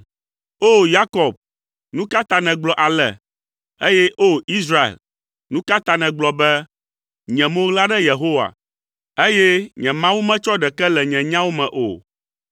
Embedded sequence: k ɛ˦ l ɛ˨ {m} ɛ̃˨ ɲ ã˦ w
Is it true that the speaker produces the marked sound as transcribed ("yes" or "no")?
no